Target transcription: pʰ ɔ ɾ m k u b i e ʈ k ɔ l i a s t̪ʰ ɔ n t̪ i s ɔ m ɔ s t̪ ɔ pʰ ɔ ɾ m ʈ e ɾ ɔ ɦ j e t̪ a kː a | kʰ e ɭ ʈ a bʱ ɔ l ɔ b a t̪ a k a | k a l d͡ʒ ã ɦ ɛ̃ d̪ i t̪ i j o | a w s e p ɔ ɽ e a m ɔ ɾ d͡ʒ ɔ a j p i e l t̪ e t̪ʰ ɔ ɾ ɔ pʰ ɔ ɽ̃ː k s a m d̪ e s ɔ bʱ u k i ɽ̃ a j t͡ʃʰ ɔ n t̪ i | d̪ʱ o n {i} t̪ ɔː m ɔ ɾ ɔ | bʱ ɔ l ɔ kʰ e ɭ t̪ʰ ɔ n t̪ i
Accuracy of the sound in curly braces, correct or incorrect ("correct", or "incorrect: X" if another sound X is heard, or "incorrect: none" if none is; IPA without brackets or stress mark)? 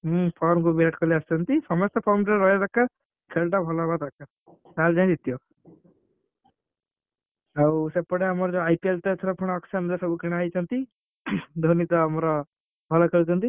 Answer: correct